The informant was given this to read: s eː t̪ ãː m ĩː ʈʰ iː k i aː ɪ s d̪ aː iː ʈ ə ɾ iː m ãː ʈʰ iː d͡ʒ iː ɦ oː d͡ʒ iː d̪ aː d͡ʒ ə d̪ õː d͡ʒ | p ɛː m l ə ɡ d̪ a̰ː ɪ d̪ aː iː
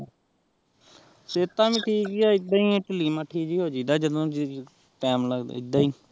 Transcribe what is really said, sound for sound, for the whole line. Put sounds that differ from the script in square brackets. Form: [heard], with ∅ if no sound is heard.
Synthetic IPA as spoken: s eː t̪ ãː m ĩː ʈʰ iː k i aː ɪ [∅] d̪ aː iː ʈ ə [l] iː m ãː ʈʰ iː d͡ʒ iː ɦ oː d͡ʒ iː d̪ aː d͡ʒ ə d̪ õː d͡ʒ | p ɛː m l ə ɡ d̪ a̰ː ɪ d̪ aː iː